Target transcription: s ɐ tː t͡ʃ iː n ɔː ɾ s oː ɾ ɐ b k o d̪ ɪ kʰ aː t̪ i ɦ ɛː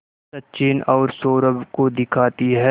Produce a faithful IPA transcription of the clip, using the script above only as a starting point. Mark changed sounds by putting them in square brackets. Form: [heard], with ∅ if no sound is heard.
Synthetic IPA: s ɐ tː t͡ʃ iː n ɔː ɾ s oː ɾ [ə] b k o d̪ ɪ kʰ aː t̪ i ɦ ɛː